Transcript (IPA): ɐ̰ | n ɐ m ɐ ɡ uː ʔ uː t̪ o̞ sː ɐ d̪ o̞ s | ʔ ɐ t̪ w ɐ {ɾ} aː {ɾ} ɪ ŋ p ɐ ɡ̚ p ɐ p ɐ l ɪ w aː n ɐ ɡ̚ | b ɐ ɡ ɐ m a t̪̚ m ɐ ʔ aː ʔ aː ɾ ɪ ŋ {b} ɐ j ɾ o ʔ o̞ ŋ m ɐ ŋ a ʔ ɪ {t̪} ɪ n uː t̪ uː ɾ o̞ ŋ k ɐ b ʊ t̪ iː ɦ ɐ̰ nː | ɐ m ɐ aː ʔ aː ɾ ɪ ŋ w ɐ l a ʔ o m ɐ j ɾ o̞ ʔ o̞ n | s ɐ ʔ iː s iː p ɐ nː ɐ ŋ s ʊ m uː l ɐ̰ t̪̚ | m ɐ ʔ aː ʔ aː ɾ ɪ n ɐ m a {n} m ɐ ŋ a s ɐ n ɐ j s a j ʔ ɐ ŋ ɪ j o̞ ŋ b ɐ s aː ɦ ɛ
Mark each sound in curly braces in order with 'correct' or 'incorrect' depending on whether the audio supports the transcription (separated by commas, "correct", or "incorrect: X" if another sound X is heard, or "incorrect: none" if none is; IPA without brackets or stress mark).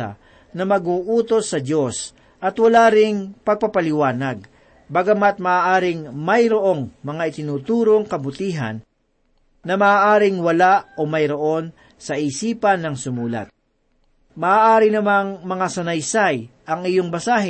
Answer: incorrect: l, correct, incorrect: m, correct, incorrect: ŋ